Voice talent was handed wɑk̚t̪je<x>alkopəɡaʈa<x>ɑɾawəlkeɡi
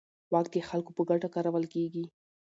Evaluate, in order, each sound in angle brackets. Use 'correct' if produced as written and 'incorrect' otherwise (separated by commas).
correct, incorrect